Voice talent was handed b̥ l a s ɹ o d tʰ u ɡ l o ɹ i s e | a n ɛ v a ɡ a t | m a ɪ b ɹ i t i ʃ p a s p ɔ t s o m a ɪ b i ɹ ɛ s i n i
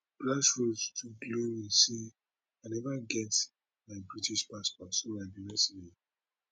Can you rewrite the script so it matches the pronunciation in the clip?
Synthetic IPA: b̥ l a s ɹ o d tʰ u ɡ l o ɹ i s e | a n ɛ v a ɡ ɛ t | m a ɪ b ɹ i t i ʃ p a s p ɔ t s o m a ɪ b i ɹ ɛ s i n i